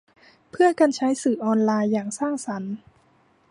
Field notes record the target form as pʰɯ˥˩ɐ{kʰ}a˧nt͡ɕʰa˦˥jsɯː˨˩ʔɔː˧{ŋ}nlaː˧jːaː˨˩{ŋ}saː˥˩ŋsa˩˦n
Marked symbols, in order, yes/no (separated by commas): no, no, yes